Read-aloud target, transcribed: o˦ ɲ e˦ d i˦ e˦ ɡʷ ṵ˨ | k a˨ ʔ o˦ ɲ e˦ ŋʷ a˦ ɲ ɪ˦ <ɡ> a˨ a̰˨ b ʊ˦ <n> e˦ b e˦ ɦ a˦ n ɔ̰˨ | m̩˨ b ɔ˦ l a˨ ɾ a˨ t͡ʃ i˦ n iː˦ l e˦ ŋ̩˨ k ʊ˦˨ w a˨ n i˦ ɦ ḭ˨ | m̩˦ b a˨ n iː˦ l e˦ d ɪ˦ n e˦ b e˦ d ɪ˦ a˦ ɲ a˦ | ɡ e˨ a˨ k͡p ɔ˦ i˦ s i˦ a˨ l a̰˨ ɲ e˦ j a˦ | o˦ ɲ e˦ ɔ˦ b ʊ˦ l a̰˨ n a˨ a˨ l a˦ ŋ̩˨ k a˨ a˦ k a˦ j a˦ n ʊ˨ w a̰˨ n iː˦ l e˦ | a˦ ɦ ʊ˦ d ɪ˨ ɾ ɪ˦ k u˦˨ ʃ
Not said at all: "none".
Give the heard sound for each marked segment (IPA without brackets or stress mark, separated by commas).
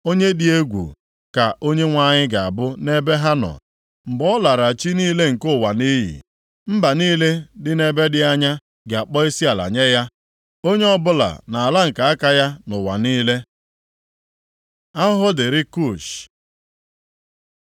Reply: ɡ, n